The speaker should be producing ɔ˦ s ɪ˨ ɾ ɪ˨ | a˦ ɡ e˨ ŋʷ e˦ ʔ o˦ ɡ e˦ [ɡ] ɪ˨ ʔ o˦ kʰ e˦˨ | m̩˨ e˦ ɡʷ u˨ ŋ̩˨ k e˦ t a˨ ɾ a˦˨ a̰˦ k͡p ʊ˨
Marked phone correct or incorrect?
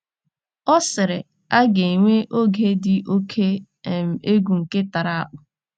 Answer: incorrect